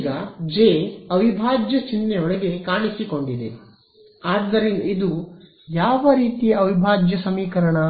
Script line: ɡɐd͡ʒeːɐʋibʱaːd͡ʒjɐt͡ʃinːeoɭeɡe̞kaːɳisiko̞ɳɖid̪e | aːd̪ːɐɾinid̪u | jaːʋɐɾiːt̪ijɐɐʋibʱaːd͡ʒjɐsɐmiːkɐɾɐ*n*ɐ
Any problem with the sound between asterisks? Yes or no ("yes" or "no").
yes